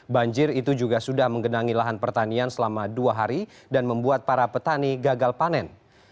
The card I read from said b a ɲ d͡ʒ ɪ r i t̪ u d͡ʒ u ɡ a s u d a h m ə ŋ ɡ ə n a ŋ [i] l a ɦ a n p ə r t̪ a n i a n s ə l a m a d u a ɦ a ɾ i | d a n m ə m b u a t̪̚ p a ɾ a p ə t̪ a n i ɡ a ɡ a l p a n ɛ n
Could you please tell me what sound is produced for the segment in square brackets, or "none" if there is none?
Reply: i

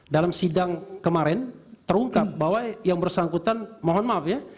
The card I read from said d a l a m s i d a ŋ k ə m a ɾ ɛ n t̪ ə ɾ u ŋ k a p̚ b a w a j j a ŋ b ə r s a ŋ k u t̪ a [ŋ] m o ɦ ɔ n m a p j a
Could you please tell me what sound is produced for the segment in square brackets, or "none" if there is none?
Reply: n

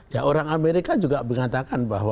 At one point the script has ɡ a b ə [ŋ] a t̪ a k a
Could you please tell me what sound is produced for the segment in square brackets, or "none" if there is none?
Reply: ŋ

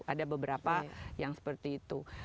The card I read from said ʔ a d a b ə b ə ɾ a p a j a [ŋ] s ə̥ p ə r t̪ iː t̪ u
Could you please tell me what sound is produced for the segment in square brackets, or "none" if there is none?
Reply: ŋ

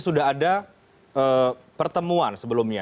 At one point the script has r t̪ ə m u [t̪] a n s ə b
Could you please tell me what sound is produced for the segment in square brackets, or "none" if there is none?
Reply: none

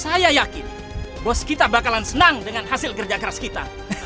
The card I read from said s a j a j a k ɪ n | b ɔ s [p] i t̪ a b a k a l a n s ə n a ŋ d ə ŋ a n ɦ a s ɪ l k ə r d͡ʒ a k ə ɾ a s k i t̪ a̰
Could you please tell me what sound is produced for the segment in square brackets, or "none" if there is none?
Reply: k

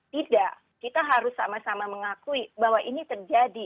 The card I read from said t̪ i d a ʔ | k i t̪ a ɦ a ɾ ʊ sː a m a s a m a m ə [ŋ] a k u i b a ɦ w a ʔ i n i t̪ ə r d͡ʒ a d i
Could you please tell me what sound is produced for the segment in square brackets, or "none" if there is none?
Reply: ŋ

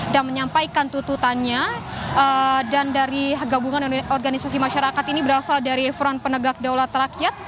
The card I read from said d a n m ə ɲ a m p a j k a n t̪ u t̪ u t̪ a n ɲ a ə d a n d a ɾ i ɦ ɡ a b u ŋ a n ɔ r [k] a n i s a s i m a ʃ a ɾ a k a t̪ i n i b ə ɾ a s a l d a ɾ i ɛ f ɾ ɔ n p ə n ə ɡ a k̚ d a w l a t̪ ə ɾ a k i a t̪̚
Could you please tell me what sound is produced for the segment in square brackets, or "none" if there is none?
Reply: ɡ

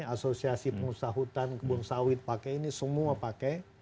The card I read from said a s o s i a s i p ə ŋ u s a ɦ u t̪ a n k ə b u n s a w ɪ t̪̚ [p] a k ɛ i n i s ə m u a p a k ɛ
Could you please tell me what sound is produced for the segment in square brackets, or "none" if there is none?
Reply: p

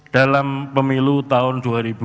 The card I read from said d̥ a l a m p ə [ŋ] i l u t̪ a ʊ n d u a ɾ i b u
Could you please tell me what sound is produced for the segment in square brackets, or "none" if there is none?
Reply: m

